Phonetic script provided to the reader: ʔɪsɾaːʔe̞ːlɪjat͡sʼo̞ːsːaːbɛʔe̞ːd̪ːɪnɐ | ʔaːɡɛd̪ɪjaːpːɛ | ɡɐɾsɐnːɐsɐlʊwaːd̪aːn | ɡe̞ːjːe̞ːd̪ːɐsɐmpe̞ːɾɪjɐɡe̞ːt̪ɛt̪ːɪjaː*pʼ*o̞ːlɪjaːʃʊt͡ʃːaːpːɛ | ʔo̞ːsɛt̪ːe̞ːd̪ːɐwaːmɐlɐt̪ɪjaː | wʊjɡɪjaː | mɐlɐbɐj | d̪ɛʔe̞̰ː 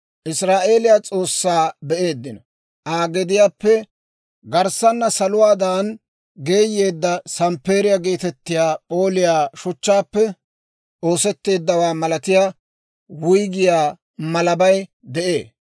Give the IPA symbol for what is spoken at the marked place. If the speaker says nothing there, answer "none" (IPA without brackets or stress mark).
pʼ